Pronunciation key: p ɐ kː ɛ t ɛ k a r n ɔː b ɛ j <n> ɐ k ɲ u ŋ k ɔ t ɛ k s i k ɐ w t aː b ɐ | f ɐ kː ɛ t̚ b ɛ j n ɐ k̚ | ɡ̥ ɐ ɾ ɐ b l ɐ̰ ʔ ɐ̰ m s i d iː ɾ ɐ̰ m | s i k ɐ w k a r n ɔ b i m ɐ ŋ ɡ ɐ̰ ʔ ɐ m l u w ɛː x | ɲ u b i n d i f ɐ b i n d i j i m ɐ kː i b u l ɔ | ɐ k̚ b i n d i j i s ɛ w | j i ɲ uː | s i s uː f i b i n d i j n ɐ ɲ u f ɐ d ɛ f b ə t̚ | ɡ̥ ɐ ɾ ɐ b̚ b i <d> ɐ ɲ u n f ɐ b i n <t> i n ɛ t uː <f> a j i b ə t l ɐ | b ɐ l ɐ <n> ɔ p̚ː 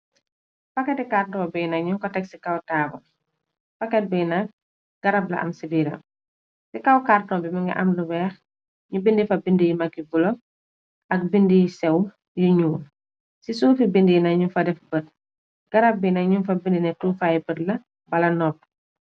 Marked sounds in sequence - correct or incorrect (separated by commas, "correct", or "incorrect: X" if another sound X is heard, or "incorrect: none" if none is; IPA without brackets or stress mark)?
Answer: correct, incorrect: n, incorrect: d, correct, correct